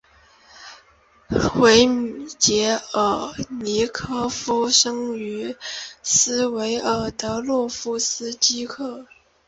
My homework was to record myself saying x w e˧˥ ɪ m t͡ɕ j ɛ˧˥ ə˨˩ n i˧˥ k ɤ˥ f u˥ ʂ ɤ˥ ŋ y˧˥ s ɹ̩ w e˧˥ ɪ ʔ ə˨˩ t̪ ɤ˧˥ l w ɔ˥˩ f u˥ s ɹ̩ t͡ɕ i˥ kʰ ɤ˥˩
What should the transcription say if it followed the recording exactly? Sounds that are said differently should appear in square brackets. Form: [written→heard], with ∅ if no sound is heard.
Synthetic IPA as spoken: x w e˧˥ ɪ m t͡ɕ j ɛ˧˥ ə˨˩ n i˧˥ [k→kʰ] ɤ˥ f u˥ ʂ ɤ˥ ŋ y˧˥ s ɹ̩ w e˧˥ ɪ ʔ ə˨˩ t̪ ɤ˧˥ l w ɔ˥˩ f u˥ s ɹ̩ t͡ɕ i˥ kʰ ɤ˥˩